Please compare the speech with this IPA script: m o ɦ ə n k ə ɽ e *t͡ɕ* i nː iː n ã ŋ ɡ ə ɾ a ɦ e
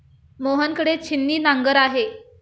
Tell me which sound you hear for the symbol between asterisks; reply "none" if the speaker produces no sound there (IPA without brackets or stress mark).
t͡ɕʰ